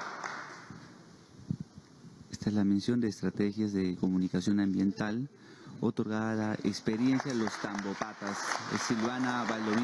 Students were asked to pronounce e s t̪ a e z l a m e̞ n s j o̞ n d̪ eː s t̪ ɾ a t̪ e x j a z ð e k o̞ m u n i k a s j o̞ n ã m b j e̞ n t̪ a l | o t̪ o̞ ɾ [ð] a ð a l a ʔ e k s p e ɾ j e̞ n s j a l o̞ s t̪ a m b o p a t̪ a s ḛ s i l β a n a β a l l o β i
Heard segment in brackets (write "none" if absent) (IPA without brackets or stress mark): ɣ